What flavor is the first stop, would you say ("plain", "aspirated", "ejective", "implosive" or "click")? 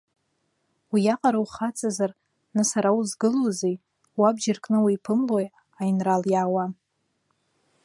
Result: ejective